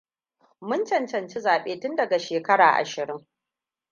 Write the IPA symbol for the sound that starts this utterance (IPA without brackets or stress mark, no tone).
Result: m